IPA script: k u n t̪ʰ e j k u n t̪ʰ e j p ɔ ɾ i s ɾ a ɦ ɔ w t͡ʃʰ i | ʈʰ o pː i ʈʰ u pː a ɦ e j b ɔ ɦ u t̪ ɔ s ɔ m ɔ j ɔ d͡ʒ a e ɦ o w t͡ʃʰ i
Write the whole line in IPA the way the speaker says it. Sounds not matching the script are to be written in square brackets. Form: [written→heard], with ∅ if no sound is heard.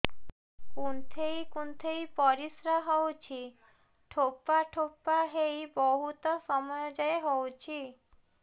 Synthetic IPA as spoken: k u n t̪ʰ e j k u n t̪ʰ e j p ɔ ɾ i s ɾ a ɦ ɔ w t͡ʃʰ i | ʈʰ o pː [i→a] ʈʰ [u→o] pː a ɦ e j b ɔ ɦ u t̪ ɔ s ɔ m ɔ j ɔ d͡ʒ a e ɦ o w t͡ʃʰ i